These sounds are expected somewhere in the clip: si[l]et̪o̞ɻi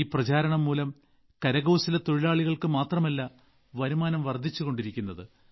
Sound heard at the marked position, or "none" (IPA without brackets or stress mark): l